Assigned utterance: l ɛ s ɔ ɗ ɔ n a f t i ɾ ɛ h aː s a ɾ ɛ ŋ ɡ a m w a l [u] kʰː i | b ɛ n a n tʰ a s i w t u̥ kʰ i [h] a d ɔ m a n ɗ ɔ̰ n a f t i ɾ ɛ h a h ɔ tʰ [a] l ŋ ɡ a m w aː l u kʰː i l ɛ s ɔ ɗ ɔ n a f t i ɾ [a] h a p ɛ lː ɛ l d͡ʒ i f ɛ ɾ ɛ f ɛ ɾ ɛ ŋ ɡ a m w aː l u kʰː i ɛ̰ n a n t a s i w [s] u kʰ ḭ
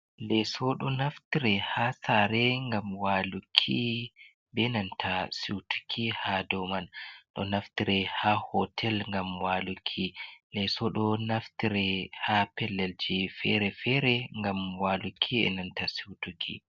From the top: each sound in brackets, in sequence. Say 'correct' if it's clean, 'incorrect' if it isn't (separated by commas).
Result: correct, correct, incorrect, incorrect, incorrect